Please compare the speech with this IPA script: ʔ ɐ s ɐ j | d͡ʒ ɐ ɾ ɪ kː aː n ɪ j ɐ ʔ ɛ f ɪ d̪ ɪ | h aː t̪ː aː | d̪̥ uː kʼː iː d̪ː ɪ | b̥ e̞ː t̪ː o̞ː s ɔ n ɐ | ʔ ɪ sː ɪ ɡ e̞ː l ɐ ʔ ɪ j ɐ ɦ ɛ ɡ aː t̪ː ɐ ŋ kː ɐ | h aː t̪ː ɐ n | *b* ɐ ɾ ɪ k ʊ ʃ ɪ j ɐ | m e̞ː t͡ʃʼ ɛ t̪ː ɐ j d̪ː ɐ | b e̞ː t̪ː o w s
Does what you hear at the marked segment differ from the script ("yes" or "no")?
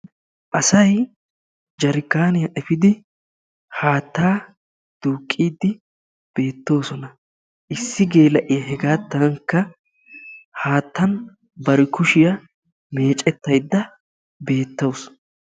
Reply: no